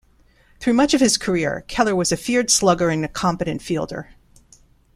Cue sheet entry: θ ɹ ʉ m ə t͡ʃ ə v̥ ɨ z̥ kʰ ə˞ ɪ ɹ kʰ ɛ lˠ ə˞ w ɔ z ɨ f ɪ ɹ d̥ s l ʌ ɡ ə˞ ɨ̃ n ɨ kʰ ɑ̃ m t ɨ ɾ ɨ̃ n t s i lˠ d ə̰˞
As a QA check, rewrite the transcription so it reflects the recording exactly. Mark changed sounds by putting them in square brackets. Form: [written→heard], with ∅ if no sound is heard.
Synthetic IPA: θ ɹ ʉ m [ə→ʌ] t͡ʃ [ə→ʌ] v̥ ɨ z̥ kʰ ə˞ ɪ ɹ kʰ ɛ lˠ ə˞ w [ɔ→ʌ] z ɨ f ɪ ɹ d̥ s l ʌ ɡ ə˞ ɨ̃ n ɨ kʰ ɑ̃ m [t→p] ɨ ɾ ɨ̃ n t [s→f] i lˠ d ə̰˞